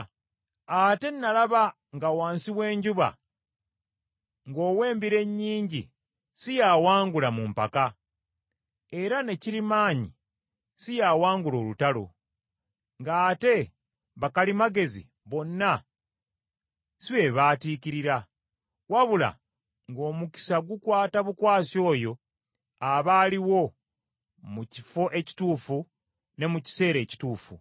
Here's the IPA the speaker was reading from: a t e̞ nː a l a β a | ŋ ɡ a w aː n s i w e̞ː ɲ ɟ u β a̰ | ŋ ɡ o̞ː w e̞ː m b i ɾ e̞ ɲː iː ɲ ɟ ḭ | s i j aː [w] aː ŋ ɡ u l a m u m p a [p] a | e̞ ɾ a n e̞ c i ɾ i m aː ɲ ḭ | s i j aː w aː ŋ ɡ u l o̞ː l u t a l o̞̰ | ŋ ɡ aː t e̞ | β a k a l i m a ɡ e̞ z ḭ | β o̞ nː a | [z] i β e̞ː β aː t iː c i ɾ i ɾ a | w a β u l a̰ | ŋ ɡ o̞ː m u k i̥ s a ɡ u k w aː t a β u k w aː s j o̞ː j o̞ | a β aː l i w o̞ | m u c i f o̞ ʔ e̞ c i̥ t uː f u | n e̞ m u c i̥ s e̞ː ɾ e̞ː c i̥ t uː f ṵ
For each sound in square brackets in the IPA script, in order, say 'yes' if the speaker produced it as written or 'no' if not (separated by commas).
yes, no, no